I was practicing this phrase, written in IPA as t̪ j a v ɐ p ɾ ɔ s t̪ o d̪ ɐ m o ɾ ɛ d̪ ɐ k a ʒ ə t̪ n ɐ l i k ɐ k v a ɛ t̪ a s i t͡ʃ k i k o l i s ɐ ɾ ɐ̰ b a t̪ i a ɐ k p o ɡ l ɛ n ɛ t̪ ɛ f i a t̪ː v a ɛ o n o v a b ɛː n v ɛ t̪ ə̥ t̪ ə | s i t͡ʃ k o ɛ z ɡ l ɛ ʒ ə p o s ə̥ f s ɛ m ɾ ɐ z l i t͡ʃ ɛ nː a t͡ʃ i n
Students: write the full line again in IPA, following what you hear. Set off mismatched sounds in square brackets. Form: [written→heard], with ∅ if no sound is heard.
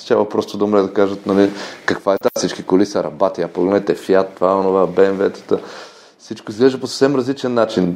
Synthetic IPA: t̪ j a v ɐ p ɾ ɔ s t̪ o d̪ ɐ m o ɾ ɛ d̪ ɐ k a ʒ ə t̪ n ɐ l i k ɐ k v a ɛ t̪ a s i t͡ʃ k i k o l i s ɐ ɾ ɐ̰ b a t̪ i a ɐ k p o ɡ l ɛ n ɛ t̪ ɛ f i a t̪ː v a ɛ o n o v a b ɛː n v ɛ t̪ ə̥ t̪ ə | s i t͡ʃ k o [ɛ→i] z ɡ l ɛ ʒ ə p o s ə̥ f s ɛ m ɾ ɐ z l i t͡ʃ ɛ nː a t͡ʃ i n